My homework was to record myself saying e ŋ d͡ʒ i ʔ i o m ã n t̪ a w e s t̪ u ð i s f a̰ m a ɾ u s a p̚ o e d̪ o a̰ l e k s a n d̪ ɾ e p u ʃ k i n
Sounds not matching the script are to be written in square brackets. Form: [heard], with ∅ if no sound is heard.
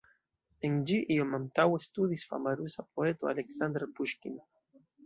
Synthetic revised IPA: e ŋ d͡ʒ i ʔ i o m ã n t̪ a w e s t̪ u ð i s f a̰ m a ɾ u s a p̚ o e [t̪] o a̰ l e k s a n d̪ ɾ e p u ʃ k i n